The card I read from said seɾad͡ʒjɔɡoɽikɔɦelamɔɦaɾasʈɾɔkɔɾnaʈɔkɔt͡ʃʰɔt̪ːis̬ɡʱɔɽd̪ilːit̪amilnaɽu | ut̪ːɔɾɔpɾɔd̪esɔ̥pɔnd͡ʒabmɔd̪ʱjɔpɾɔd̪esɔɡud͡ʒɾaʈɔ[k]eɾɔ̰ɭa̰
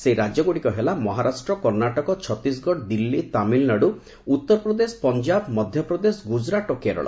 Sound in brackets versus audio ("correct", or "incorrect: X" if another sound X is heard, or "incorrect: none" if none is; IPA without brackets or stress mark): correct